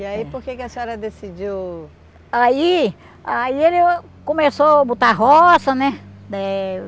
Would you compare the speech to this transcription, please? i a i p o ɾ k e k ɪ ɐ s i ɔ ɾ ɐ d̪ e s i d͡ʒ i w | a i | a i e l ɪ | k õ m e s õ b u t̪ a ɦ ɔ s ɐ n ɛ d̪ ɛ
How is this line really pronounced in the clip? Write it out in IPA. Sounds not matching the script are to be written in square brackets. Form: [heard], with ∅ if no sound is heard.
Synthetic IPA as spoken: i a i p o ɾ k e k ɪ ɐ s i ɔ ɾ ɐ d̪ e s i d͡ʒ i w | a i | a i e l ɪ | k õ m e s [o] b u t̪ a ɦ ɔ s ɐ n ɛ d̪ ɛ

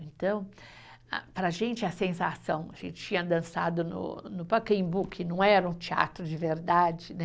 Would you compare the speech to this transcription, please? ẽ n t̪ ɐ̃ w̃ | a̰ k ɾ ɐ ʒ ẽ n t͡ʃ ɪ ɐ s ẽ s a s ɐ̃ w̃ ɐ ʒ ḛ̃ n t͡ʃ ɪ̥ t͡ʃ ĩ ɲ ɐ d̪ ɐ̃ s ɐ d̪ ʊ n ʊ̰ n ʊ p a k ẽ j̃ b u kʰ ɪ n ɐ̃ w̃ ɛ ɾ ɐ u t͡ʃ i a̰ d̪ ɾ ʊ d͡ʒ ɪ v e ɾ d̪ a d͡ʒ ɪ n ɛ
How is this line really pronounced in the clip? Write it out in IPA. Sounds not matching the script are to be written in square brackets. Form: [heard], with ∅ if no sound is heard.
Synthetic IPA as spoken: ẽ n t̪ ɐ̃ w̃ | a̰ [p] ɾ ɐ ʒ ẽ n t͡ʃ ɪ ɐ s ẽ s a s ɐ̃ w̃ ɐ ʒ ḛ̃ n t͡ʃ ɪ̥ t͡ʃ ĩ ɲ ɐ d̪ ɐ̃ s [a] d̪ ʊ n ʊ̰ n ʊ p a k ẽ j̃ b u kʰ ɪ n ɐ̃ w̃ ɛ ɾ ɐ [ũ] t͡ʃ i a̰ [t̪] ɾ ʊ d͡ʒ ɪ v e ɾ d̪ a d͡ʒ ɪ n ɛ

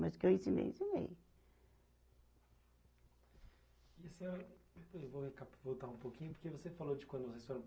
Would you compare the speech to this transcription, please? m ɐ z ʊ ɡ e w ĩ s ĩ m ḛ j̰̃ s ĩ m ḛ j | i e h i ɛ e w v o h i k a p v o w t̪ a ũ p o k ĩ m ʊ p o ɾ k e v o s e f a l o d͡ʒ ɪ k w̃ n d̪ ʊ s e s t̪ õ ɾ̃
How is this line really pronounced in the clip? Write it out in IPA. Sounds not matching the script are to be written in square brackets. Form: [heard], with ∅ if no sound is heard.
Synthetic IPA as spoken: m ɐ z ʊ [k] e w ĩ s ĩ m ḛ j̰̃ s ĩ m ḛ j | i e [s] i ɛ e w v o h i k a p v o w t̪ a ũ p o k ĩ [ɲ] ʊ p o ɾ k e v o s e f a l o d͡ʒ ɪ k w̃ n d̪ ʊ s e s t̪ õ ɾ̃

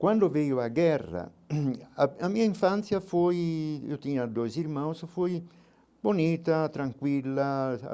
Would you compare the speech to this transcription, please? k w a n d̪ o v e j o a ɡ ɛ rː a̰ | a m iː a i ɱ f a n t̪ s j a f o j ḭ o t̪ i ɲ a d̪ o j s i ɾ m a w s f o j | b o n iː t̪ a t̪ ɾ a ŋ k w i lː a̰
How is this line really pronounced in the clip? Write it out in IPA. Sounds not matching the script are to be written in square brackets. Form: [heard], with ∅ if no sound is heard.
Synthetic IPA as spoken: k w a n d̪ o v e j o a ɡ ɛ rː a̰ | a m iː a i ɱ f a n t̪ s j a f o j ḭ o t̪ i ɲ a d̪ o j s i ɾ m a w s f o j | b o n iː t̪ a t̪ ɾ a ŋ k w i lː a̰

